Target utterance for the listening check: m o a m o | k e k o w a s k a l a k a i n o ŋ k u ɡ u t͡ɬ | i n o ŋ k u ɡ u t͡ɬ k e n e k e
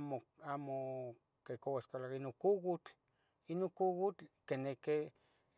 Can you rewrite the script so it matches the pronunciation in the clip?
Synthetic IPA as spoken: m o a m o | k e k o w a s k a l a k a i n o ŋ k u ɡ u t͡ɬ | i n o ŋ k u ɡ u t͡ɬ k e n e k e